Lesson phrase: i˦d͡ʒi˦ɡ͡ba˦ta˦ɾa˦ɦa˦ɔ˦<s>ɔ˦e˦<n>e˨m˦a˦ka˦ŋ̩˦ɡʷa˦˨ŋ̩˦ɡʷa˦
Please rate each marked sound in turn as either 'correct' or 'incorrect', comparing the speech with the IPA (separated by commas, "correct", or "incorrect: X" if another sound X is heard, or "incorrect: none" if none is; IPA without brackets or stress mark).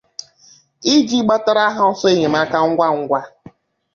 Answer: correct, incorrect: ɲ